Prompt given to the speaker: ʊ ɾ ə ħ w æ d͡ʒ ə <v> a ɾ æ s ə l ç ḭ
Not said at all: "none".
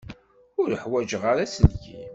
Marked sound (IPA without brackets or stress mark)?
ʁ